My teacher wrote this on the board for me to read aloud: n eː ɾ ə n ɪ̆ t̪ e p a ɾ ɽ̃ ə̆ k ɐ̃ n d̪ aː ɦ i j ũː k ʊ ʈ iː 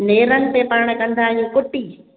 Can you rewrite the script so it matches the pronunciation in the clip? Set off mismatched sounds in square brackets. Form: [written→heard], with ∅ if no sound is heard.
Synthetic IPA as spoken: n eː ɾ ə n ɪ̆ t̪ e p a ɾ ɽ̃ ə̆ k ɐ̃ n d̪ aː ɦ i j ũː k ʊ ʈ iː